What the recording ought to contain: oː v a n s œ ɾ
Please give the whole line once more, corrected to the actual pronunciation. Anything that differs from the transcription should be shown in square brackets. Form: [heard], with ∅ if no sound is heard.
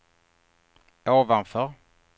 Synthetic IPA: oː v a n [f] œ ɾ

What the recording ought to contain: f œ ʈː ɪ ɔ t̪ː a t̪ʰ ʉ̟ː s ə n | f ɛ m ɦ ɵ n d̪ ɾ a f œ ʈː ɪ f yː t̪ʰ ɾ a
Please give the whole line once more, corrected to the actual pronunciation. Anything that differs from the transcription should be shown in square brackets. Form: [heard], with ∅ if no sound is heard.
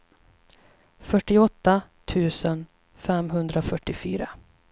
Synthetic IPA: f œ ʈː ɪ ɔ t̪ː a t̪ʰ ʉ̟ː s ə n | f ɛ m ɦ ɵ n d̪ ɾ a f œ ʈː ɪ f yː [∅] ɾ a

